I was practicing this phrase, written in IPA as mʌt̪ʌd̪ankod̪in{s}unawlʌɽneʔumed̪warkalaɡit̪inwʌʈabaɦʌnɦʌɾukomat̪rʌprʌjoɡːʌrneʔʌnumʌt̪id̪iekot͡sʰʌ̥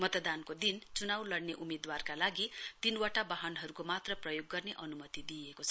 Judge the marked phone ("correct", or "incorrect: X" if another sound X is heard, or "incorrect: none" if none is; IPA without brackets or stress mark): incorrect: t͡s